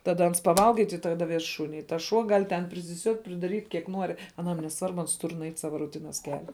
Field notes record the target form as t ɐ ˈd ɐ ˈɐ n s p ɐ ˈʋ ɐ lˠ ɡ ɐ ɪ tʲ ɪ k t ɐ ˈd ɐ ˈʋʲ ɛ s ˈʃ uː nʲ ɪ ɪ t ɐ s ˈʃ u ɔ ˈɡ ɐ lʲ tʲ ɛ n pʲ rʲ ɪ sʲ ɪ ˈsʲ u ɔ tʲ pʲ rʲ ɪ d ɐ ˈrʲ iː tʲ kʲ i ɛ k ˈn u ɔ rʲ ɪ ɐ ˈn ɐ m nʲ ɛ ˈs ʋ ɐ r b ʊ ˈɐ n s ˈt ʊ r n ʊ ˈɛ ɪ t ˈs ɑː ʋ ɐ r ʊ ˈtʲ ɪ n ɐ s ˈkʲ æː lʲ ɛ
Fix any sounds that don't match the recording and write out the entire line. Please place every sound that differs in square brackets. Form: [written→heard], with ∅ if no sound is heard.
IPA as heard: t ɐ ˈd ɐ ˈɐ n s p ɐ ˈʋ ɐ lˠ ɡ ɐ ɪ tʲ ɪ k t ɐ ˈd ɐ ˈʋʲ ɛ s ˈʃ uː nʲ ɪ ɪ t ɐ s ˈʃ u ɔ ˈɡ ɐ lʲ tʲ ɛ n pʲ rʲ ɪ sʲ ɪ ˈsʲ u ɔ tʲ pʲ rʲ ɪ d ɐ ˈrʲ iː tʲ kʲ i ɛ k ˈn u ɔ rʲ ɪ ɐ ˈn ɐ m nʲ ɛ ˈs ʋ ɐ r b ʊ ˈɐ n s ˈt ʊ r n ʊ ˈɛ ɪ t ˈs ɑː ʋ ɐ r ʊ ˈtʲ ɪ n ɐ s ˈkʲ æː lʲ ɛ

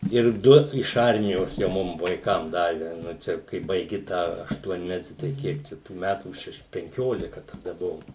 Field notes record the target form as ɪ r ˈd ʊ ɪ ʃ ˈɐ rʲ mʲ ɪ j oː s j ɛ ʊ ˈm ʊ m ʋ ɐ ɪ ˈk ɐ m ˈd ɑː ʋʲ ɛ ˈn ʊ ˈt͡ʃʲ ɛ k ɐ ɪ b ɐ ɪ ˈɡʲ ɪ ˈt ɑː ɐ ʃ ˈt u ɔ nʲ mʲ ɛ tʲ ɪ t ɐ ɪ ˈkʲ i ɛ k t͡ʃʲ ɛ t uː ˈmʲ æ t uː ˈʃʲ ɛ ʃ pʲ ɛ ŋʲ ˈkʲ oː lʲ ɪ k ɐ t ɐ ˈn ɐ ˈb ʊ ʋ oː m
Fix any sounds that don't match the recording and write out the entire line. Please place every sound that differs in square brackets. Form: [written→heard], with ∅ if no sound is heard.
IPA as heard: ɪ r ˈd ʊ ɪ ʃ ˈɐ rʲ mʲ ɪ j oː s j ɛ ʊ ˈm ʊ m ʋ ɐ ɪ ˈk ɐ m ˈd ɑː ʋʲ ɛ ˈn ʊ ˈt͡ʃʲ ɛ k ɐ ɪ b ɐ ɪ ˈɡʲ ɪ ˈt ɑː ɐ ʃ ˈt u ɔ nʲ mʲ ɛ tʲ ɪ t ɐ ɪ ˈkʲ i ɛ k t͡ʃʲ ɛ t uː ˈmʲ æ t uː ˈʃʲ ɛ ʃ pʲ ɛ ŋʲ ˈkʲ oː lʲ ɪ k ɐ t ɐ [ˈn→ˈd] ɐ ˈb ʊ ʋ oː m

